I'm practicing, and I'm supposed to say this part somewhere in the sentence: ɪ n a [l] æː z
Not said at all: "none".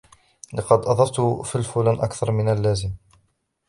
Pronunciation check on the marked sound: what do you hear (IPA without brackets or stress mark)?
lː